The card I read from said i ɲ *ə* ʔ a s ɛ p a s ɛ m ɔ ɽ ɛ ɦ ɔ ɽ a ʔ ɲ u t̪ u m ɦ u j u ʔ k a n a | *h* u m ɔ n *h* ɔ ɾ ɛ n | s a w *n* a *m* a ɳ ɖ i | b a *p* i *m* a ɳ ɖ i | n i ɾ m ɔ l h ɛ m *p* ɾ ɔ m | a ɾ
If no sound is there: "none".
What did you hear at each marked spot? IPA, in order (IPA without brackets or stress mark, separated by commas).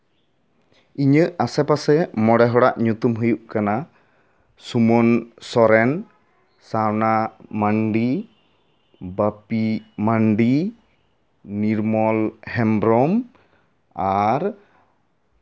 ə, s, s, n, m, p, m, b